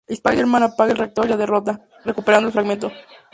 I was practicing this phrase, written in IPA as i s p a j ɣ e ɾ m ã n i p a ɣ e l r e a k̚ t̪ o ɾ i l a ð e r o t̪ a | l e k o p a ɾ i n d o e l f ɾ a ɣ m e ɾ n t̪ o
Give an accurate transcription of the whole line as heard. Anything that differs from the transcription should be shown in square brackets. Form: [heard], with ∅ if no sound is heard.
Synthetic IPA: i s p a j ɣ e ɾ m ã n [a] p a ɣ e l r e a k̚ t̪ o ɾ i l a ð e r o t̪ a | [r] e k [u] p [e] ɾ [a] n d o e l f ɾ a ɣ m e [∅] n t̪ o